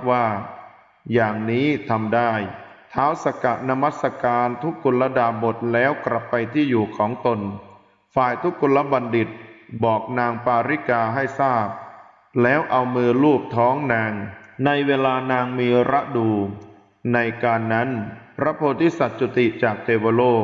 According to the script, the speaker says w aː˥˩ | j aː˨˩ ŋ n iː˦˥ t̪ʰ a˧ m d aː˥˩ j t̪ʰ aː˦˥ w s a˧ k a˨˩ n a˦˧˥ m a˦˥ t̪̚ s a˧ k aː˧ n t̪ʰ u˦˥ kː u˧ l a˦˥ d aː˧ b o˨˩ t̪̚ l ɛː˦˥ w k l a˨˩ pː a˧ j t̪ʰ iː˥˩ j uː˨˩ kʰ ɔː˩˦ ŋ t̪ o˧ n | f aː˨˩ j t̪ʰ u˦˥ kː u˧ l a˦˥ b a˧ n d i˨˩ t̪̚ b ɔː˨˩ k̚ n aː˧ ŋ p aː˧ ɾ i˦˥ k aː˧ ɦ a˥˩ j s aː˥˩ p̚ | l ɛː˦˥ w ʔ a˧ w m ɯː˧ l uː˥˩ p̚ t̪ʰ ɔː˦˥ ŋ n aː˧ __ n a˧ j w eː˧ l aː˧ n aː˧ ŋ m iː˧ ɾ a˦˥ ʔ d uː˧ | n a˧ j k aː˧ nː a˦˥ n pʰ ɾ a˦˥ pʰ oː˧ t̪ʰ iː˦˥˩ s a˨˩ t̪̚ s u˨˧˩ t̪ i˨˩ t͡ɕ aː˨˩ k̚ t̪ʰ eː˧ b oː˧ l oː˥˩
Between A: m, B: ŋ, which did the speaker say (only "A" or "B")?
B